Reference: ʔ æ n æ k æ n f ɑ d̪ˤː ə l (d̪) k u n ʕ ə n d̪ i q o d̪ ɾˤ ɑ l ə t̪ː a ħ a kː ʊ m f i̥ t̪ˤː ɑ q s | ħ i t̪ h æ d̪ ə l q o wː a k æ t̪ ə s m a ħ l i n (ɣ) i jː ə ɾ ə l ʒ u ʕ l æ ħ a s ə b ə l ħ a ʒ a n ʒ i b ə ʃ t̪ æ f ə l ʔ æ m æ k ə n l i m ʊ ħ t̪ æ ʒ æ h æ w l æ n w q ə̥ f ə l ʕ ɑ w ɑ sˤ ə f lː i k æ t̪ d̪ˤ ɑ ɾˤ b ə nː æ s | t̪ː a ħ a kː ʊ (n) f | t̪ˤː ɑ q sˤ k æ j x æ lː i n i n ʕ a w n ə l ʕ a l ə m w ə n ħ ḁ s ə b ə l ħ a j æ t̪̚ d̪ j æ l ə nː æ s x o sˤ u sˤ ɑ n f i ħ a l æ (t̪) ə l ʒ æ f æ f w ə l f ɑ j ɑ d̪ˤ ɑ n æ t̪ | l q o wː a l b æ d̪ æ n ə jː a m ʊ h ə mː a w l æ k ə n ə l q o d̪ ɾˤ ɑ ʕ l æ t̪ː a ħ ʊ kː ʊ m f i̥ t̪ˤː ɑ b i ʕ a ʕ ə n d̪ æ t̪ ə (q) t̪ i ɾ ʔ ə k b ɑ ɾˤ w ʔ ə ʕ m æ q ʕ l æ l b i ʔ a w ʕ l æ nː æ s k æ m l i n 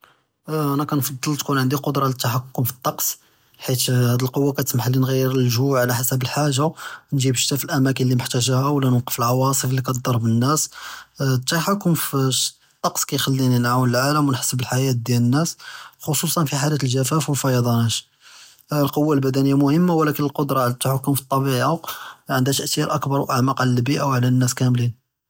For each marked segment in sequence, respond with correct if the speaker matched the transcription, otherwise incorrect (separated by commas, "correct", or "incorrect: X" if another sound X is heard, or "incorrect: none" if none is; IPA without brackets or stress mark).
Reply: incorrect: t̪, correct, incorrect: m, correct, incorrect: ʔ